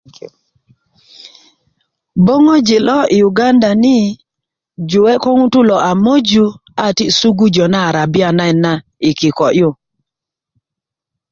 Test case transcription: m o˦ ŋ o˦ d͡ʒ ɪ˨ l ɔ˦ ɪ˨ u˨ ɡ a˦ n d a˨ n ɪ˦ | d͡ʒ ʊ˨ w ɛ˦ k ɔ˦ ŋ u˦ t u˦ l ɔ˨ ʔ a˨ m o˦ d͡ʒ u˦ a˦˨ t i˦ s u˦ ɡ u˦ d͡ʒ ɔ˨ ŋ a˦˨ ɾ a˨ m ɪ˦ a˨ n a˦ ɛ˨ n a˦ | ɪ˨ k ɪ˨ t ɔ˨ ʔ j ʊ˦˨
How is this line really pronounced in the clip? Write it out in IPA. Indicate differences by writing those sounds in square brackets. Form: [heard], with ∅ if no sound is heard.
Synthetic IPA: [b] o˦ ŋ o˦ d͡ʒ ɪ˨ l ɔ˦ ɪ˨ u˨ ɡ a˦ n d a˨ n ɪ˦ | d͡ʒ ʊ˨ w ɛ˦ k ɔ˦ ŋ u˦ t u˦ l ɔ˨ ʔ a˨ m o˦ d͡ʒ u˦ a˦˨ t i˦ s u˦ ɡ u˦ d͡ʒ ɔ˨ [n] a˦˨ ɾ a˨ [b] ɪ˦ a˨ n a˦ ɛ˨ n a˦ | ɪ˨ k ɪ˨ [k] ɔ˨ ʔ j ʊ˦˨